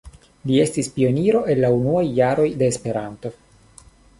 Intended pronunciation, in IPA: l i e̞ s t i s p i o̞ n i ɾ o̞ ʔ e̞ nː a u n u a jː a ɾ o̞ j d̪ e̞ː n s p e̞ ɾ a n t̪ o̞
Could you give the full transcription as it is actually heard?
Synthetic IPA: l i e̞ s t i s p i o̞ n i ɾ o̞ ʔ e̞ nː a u n u a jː a ɾ o̞ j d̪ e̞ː s p e̞ ɾ a n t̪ o̞